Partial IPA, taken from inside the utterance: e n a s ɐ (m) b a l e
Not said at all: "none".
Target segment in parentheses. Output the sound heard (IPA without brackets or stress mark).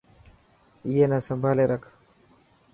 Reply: m